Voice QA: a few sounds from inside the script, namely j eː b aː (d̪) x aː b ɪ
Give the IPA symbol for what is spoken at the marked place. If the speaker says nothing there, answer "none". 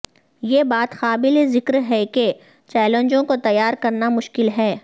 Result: t̪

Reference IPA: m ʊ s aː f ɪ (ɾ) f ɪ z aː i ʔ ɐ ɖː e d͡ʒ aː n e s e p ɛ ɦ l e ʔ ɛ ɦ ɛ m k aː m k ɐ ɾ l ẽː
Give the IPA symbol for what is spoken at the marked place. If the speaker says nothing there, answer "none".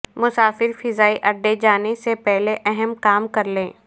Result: ɾ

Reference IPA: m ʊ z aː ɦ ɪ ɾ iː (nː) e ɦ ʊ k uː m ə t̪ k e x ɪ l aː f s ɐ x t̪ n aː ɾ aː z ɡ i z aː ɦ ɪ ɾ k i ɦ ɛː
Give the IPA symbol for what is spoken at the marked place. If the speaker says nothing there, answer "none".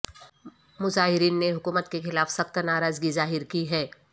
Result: nː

